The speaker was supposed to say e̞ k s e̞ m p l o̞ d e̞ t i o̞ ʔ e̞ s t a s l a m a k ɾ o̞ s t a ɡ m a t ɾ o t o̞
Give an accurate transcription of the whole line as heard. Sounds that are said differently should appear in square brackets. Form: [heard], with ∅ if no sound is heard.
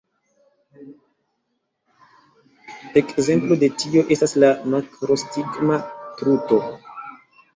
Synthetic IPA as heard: e̞ k [z] e̞ m p l o̞ d e̞ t i o̞ ʔ e̞ s t a s l a m a k ɾ o̞ s t [i] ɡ m a t ɾ [u] t o̞